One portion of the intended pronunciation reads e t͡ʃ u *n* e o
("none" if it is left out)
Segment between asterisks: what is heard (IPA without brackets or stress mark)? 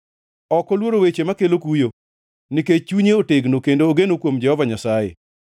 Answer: ɲ